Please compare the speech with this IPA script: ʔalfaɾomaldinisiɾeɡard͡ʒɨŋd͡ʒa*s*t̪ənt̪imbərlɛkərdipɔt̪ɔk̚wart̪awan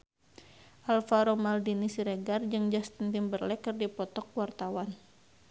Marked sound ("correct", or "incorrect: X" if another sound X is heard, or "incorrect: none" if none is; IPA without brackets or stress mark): correct